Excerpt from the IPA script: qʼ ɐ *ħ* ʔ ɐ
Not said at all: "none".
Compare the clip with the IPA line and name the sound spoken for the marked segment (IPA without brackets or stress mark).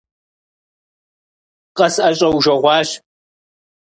s